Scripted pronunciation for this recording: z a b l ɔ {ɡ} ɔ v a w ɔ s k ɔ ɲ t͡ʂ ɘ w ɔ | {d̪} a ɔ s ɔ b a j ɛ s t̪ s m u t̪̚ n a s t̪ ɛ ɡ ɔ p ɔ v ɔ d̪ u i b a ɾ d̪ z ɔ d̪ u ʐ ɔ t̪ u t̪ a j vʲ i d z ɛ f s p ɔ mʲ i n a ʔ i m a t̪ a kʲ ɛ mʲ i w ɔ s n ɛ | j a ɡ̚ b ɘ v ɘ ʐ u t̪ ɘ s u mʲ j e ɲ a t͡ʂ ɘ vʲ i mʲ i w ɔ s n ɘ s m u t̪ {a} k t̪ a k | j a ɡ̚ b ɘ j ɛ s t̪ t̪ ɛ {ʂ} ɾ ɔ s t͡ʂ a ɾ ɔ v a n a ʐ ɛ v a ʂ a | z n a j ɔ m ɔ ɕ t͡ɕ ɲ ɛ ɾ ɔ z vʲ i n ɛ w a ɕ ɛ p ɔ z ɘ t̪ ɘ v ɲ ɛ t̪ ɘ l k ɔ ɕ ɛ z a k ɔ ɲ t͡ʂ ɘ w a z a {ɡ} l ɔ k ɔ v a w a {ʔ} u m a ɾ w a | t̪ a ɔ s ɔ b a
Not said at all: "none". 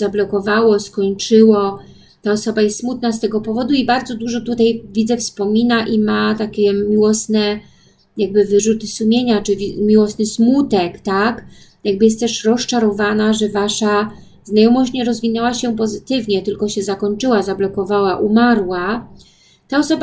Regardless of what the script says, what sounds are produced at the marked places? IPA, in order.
k, t̪, ɛ, ʂ, b, ʔ

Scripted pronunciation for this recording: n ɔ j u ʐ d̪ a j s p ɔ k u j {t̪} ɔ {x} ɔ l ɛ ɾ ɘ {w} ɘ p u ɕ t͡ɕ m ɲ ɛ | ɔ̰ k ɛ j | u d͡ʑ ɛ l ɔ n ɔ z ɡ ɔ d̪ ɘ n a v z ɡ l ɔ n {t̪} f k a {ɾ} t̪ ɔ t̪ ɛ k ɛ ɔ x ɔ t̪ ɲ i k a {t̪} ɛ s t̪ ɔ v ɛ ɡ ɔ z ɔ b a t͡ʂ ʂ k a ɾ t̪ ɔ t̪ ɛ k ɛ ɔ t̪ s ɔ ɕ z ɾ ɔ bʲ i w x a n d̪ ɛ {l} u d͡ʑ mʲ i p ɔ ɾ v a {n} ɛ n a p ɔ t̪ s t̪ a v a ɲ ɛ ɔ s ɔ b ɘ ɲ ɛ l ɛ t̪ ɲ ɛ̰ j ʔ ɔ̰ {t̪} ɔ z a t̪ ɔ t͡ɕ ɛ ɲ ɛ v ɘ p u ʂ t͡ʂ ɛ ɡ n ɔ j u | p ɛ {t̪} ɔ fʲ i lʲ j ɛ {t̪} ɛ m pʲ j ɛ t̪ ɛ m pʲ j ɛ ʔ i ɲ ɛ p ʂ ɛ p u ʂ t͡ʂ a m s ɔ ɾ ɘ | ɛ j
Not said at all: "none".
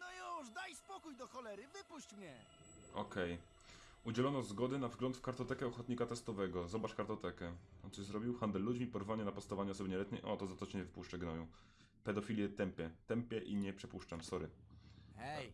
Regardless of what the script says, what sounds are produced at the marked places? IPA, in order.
d̪, x, v, t̪, ɾ, t̪, lː, ɲ, t̪, d̪, t̪

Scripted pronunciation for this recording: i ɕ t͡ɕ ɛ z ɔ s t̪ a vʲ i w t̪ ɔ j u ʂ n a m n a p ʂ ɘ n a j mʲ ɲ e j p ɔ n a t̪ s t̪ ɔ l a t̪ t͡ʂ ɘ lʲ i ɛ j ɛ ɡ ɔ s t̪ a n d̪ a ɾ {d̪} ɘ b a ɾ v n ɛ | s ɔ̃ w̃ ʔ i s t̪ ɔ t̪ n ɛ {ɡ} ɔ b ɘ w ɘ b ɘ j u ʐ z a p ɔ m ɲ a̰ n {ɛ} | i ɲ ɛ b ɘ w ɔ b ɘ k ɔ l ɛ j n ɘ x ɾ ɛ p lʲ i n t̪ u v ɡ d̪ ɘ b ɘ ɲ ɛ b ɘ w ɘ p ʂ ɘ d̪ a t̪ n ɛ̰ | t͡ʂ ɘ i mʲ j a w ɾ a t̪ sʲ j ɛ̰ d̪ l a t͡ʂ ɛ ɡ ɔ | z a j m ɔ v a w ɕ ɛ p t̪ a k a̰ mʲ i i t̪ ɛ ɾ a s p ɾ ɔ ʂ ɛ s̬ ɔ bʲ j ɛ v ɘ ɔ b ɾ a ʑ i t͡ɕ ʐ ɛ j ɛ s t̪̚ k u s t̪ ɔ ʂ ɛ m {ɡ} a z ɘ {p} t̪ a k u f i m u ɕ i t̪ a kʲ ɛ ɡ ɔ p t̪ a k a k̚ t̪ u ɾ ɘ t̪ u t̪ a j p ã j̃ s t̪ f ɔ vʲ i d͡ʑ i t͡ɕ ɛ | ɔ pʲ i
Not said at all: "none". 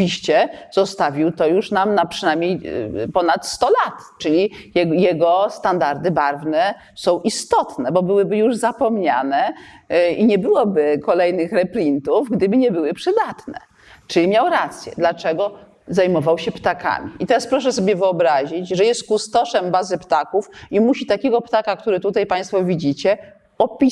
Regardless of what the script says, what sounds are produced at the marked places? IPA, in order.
d̪, b, ɛ, b, p

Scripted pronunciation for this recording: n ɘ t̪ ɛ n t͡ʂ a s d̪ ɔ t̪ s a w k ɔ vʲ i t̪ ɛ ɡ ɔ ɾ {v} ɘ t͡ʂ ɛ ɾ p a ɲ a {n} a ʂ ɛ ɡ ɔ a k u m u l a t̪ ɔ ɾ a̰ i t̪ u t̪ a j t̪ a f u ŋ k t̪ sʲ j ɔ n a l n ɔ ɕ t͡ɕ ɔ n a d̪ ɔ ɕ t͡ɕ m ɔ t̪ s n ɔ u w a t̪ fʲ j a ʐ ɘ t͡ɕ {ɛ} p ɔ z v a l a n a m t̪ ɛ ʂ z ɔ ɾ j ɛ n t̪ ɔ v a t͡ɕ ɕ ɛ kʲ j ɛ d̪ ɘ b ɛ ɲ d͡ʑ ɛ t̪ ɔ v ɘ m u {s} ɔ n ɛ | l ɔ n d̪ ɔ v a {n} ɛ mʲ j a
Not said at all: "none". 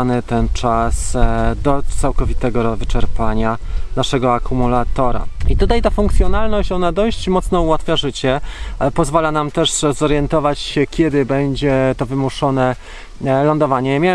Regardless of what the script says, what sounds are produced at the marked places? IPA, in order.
v, n, ɛ, ʂ, ɲ

